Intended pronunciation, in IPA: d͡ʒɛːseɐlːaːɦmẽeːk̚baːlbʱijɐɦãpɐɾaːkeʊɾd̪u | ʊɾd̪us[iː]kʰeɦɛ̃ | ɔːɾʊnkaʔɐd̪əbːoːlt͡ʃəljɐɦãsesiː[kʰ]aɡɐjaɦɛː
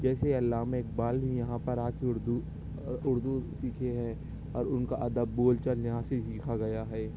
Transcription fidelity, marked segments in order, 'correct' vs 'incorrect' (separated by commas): correct, correct